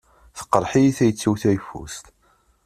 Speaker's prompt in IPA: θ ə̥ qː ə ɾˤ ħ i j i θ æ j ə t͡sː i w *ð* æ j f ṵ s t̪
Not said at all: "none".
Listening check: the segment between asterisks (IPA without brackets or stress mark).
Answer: θ